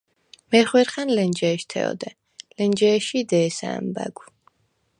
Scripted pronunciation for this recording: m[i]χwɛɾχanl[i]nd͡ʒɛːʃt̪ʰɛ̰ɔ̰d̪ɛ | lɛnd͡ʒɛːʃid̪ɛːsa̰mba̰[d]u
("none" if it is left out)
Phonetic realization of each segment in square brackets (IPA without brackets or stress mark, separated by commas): ɛ, ɛ, ɡ